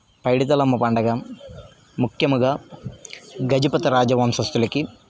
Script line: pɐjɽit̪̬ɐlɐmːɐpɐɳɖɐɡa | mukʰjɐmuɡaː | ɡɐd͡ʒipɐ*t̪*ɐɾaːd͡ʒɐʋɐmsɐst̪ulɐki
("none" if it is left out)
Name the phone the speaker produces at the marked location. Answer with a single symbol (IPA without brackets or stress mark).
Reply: t̪